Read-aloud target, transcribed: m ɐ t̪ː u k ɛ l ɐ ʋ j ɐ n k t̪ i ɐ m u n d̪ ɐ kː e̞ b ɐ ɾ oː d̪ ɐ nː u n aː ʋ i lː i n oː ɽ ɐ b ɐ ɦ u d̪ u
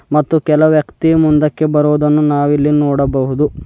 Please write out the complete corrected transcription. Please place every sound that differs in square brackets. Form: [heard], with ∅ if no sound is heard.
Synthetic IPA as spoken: m ɐ t̪ː u k ɛ l ɐ ʋ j ɐ [∅] k t̪ i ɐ m u n d̪ ɐ kː e̞ b ɐ ɾ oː d̪ ɐ nː u n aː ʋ i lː i n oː ɽ ɐ b ɐ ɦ u d̪ u